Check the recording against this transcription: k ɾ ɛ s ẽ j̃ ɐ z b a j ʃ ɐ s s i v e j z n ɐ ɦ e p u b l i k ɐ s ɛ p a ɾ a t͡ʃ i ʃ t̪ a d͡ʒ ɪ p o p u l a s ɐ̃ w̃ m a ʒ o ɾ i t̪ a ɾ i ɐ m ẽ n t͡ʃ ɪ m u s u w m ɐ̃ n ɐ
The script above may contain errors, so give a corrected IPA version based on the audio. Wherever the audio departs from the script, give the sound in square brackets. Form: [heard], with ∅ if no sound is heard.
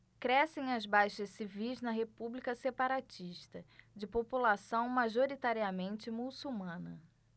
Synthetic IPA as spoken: k ɾ ɛ s ẽ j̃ ɐ z b a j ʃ ɐ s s i v [i] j z n ɐ ɦ e p u b l i k ɐ s [e] p a ɾ a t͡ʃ i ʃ t̪ [ɐ] d͡ʒ ɪ p o p u l a s ɐ̃ w̃ m a ʒ o ɾ i t̪ a ɾ i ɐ m ẽ n t͡ʃ ɪ m u s u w m ɐ̃ n ɐ